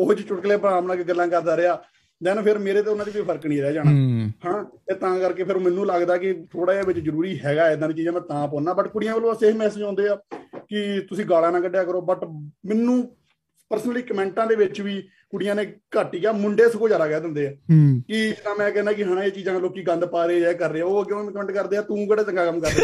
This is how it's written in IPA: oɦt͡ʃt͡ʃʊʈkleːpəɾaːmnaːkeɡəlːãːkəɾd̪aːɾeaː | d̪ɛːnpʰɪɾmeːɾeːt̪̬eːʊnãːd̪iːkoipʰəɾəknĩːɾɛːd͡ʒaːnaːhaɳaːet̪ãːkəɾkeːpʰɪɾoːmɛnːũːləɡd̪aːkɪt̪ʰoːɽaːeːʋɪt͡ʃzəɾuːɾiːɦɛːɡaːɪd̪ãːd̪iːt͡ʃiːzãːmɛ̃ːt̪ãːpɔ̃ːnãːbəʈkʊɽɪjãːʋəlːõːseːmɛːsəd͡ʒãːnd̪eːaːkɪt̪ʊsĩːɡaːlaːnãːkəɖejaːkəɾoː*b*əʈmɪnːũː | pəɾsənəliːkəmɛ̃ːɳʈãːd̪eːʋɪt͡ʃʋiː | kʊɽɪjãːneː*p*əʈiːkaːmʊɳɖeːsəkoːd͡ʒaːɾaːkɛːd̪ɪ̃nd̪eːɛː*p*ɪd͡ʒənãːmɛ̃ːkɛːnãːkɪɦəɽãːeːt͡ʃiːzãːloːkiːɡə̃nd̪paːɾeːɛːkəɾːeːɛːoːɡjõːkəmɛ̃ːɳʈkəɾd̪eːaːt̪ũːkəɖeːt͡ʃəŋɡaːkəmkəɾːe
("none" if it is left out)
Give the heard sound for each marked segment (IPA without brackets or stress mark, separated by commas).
b, k, k